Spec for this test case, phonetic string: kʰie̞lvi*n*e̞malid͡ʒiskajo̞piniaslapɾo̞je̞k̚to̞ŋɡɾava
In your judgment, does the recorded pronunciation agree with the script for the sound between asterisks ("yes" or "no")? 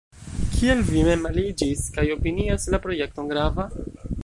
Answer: no